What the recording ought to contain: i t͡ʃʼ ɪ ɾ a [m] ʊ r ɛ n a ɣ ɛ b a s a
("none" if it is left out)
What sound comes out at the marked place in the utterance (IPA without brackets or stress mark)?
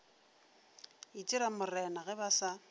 m